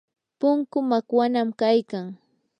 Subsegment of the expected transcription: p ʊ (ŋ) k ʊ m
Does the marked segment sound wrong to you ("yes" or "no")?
no